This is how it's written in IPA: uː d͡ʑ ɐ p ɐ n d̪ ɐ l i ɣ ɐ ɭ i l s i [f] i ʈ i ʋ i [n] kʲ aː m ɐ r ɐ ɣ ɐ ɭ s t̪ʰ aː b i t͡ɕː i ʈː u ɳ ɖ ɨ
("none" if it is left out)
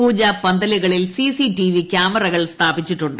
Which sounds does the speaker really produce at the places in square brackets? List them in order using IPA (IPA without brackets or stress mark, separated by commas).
s, none